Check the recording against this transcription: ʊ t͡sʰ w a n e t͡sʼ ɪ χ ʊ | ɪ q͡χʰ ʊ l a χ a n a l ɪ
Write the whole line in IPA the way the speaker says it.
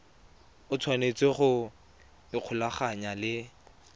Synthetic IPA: ʊ t͡sʰ w a n e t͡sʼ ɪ χ ʊ | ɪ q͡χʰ ʊ l a χ a ɲ a l ɪ

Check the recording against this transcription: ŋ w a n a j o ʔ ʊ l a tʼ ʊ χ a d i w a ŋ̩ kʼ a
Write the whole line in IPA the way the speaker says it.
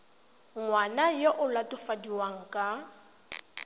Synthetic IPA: ŋ w a n a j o ʔ ʊ l a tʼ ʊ f a d i w a ŋ̩ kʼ a

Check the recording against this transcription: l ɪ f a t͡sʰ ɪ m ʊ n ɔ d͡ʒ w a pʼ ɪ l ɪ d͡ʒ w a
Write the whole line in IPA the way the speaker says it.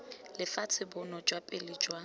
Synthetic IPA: l ɪ f a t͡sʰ ɪ b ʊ n ɔ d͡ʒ w a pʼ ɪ l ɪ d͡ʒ w a

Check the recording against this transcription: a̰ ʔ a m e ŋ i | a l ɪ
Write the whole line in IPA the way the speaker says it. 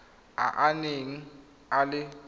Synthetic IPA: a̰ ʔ a n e ŋ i | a l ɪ

